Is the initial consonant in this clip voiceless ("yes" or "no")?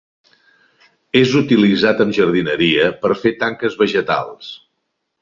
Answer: no